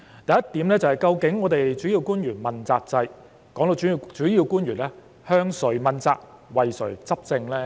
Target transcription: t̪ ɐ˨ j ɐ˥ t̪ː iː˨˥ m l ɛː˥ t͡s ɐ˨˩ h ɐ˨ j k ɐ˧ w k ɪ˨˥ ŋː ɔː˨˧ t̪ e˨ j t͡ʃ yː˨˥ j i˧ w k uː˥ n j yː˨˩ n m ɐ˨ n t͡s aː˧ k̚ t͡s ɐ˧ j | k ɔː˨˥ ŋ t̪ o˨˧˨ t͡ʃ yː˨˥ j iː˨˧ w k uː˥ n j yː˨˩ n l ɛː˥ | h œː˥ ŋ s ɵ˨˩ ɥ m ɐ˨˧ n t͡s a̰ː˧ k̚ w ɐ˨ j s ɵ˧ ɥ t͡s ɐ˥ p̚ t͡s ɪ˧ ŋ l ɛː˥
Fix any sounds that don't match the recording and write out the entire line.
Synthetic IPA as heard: t̪ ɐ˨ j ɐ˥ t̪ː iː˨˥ m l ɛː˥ t͡s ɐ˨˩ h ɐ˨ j k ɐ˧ w k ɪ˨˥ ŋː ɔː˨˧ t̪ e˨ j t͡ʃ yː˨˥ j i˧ w k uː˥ n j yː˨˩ n m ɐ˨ n t͡s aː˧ k̚ t͡s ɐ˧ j | k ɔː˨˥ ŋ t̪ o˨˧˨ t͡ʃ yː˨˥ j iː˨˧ w k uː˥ n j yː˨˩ n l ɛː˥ | h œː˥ ŋ s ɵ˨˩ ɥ m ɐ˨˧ n t͡s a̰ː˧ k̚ w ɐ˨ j s ɵ˨˩ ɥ t͡s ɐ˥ p̚ t͡s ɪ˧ ŋ l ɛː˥